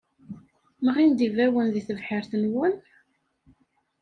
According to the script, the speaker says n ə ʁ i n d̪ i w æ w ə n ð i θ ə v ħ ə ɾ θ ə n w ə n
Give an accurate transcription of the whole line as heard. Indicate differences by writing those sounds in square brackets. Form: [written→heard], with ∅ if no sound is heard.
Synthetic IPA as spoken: [n→m] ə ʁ i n d̪ i [w→v] æ w ə n ð i θ ə v ħ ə ɾ θ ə n w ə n